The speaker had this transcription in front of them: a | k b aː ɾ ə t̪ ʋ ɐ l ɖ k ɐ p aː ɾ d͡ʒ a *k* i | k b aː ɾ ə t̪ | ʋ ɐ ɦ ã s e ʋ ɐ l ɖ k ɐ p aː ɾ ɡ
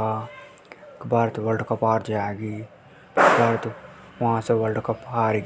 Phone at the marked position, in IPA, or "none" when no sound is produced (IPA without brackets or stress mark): ɡ